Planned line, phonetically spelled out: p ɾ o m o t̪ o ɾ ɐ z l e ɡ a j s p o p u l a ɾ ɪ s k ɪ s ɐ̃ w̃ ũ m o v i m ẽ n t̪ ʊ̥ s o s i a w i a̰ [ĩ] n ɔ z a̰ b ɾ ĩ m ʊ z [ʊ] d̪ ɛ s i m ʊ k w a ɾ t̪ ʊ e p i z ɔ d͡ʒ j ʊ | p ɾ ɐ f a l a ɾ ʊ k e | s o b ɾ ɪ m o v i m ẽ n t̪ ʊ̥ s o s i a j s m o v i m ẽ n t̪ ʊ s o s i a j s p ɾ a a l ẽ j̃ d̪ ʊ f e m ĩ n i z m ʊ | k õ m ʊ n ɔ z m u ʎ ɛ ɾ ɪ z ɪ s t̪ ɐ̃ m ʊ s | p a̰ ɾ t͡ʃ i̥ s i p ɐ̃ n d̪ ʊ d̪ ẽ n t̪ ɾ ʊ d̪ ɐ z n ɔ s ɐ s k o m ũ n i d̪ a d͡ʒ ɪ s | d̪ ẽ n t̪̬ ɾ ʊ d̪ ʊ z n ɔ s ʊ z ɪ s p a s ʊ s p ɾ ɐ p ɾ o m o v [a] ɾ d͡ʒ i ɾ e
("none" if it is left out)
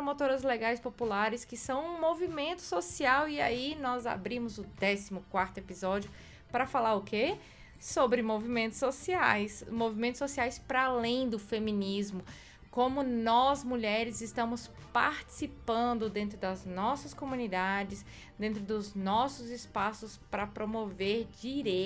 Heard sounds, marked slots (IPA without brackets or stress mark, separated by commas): i, ʊ, e